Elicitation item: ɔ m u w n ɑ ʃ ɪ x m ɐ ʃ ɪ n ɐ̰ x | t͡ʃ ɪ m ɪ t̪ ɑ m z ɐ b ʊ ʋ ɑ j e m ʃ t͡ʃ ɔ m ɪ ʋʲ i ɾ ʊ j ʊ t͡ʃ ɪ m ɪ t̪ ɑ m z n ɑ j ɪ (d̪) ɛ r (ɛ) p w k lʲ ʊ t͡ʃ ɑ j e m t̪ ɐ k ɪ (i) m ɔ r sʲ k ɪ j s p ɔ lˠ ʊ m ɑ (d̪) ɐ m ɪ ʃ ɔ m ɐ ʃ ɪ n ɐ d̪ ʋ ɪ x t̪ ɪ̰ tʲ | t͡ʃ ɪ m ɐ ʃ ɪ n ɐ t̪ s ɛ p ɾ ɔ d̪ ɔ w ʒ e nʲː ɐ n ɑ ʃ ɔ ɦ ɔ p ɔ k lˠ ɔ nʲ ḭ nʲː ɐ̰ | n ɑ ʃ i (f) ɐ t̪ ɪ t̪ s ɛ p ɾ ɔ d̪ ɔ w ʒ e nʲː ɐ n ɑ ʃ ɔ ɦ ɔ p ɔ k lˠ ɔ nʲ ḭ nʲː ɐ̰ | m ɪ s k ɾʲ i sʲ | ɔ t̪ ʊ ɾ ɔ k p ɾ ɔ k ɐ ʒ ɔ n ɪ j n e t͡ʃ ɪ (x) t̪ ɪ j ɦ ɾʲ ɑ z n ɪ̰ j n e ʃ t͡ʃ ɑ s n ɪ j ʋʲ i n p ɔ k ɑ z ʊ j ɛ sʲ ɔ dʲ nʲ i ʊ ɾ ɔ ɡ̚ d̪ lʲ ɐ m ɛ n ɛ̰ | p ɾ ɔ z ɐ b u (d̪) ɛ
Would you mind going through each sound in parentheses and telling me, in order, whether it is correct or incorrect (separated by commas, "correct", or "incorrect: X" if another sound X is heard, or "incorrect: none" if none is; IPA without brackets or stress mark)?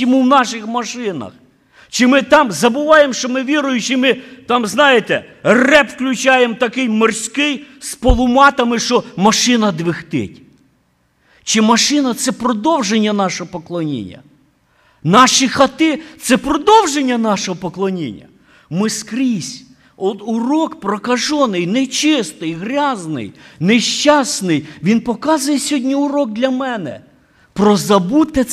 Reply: incorrect: t̪, correct, incorrect: j, incorrect: t̪, incorrect: x, incorrect: s, incorrect: t̪